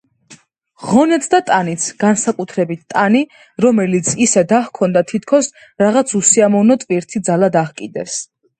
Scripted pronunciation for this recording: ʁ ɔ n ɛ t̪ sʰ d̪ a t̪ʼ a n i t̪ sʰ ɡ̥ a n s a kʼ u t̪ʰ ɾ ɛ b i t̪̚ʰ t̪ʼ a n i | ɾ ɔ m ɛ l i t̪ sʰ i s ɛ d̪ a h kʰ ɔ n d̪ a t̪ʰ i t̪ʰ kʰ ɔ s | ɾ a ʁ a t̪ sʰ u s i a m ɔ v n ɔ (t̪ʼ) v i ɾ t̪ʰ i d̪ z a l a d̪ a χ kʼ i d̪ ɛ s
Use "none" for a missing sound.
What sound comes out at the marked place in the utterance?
t̪ʼ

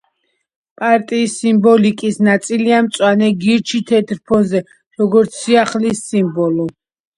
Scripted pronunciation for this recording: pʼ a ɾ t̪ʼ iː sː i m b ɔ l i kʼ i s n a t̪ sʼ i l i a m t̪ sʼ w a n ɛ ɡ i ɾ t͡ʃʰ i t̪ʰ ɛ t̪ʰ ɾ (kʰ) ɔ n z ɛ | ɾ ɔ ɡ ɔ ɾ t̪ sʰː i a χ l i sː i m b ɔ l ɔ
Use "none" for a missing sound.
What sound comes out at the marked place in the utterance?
pʰ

